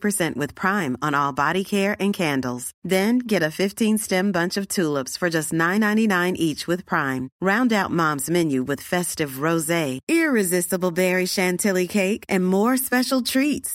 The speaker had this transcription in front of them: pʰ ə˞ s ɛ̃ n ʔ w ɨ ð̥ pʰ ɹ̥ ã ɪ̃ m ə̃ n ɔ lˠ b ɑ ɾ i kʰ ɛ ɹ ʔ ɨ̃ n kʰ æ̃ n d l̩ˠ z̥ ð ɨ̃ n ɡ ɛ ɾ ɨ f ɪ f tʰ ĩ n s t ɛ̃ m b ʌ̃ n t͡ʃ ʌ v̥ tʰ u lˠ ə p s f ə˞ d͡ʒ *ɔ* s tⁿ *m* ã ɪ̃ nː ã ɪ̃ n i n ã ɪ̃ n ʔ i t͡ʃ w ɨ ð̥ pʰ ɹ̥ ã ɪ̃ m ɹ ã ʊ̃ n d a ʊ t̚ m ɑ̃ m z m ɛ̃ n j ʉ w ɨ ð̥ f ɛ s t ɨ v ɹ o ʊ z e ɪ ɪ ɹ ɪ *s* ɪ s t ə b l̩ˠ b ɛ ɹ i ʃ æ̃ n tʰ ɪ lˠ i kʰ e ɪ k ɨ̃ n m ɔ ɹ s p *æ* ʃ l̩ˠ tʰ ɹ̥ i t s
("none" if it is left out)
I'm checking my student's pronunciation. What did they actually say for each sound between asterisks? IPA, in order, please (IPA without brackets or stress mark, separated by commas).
ʌ, n, z, ɛ